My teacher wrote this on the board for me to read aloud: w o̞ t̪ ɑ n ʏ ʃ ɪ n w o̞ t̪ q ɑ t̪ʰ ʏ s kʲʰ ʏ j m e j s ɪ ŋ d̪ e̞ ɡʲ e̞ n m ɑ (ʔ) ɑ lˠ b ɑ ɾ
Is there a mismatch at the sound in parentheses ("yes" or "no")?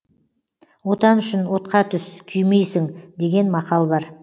yes